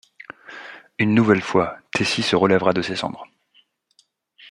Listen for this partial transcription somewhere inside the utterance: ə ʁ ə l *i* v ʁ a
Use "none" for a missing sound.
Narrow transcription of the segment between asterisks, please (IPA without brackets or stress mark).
ɛ